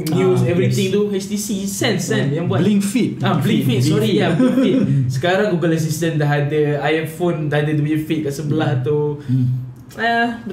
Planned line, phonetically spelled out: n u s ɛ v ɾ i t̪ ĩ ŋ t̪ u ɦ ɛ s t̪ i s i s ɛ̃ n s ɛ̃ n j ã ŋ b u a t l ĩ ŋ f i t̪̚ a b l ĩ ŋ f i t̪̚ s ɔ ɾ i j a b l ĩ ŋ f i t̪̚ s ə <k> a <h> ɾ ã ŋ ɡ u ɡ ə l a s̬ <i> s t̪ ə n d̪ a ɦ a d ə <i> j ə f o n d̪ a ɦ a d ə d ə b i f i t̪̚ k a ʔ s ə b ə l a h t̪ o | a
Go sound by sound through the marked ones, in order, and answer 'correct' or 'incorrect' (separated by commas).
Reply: correct, incorrect, correct, incorrect